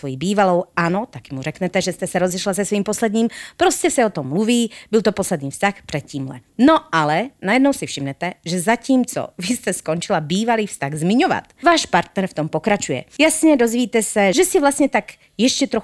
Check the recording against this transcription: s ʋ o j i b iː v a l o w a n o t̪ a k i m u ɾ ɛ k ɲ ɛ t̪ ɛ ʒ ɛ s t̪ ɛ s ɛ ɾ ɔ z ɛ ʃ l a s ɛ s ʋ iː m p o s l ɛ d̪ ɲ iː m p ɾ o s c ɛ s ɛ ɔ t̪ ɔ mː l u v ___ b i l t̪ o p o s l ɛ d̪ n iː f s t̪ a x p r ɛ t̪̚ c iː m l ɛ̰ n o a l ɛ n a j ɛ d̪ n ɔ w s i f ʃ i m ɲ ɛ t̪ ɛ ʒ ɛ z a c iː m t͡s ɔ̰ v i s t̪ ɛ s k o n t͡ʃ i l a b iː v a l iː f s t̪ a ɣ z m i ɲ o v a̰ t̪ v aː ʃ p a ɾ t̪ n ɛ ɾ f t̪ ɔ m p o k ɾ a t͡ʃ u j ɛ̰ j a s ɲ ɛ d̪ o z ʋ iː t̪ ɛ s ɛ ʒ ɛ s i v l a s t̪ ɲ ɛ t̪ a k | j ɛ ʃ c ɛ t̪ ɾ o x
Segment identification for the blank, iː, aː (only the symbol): iː